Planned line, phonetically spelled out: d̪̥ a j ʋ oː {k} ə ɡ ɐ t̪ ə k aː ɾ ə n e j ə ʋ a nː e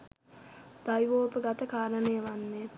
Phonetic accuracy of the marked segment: incorrect: p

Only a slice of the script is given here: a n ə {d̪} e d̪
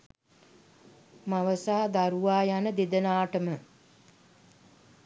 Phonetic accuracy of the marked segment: correct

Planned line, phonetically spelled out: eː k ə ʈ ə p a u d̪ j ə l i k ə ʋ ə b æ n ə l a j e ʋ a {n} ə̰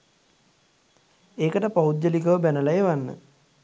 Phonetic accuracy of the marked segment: incorrect: nː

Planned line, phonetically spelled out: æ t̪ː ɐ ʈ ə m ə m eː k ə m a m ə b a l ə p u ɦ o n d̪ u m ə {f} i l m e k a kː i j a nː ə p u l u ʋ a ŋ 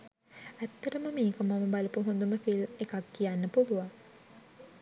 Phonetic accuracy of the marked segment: correct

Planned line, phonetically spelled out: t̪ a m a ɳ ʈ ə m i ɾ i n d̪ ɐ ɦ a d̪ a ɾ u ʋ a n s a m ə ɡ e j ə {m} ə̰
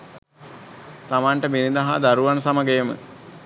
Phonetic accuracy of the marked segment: correct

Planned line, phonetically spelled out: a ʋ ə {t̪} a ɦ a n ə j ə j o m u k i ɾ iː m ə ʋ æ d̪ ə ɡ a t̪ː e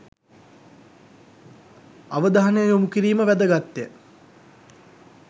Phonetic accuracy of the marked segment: incorrect: d̪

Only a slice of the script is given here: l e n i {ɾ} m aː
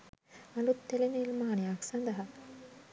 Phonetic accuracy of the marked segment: incorrect: l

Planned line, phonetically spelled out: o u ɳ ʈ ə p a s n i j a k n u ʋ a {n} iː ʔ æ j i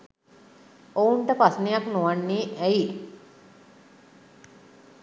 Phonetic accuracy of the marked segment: incorrect: nː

